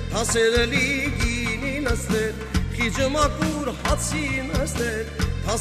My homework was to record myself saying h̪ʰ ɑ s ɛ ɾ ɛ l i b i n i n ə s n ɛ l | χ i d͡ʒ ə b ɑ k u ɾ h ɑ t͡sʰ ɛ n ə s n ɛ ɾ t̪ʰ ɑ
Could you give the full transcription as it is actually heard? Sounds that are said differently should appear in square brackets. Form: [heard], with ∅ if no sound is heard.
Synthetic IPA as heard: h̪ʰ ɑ s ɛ ɾ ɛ l i [ɡ] i n i n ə s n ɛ [ɾ] | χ i d͡ʒ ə [m] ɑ k u ɾ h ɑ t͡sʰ [i] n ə s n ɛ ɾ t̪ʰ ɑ